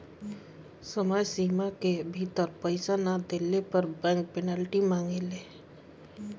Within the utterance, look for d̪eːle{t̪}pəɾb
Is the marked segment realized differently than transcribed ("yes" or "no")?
yes